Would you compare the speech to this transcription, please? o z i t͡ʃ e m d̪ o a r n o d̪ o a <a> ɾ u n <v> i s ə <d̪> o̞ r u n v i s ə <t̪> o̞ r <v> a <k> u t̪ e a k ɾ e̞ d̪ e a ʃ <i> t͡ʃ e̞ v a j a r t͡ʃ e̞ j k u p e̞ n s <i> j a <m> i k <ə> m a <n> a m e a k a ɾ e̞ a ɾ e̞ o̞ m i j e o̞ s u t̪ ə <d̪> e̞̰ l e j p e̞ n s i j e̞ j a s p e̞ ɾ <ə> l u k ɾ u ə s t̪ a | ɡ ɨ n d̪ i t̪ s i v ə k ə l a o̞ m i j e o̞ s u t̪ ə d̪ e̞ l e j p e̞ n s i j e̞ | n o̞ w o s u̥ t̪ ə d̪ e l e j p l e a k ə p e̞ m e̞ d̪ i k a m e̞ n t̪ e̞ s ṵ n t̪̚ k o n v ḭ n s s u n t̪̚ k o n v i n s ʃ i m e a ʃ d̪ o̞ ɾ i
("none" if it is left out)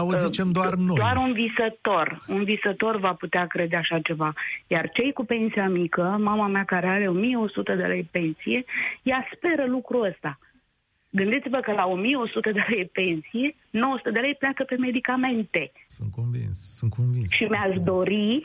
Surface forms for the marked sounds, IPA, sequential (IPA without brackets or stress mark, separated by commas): a, v, t̪, t̪, v, p, a, i, m, ə, m, d̪, ə